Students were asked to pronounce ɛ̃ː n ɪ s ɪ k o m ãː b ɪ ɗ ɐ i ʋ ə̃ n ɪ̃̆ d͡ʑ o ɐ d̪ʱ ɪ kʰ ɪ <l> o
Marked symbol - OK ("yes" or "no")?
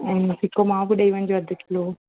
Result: yes